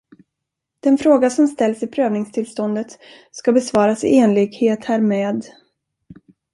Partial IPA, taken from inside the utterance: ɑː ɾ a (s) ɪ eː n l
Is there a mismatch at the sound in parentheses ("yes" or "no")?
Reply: no